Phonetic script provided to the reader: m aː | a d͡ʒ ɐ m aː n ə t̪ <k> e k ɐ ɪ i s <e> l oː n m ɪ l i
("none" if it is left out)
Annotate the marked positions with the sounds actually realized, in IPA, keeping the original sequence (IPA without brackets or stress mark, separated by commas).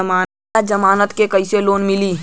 k, e